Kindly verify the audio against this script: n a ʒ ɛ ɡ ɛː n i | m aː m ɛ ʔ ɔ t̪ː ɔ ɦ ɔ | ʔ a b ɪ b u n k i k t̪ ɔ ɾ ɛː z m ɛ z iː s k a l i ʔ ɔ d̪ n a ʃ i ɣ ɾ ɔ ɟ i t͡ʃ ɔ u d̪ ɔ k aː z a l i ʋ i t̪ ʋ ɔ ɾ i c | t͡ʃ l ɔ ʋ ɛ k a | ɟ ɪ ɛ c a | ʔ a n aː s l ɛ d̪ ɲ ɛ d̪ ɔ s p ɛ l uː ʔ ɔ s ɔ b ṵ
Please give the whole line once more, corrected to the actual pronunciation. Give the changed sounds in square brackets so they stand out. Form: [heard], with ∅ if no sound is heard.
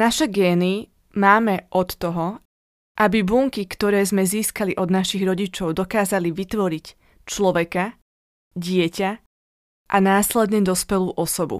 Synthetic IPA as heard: n a [ʃ] ɛ ɡ ɛː n i | m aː m ɛ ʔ ɔ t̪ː ɔ ɦ ɔ | ʔ a b [i] b u [ŋ] k i k t̪ ɔ ɾ ɛː z m ɛ z iː s k a l i ʔ ɔ d̪ n a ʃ i ɣ ɾ ɔ ɟ i t͡ʃ ɔ [ʊ] d̪ ɔ k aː z a l i ʋ i t̪ ʋ ɔ ɾ i c | t͡ʃ l ɔ ʋ ɛ k a | ɟ ɪ ɛ c a | ʔ a n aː s l ɛ d̪ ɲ ɛ d̪ ɔ s p ɛ l uː ʔ ɔ s ɔ b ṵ